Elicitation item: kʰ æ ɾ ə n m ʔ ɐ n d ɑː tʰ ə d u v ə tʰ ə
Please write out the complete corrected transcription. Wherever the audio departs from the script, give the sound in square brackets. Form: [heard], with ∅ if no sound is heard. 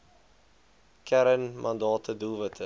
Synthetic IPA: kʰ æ ɾ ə n m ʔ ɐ n d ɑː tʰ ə d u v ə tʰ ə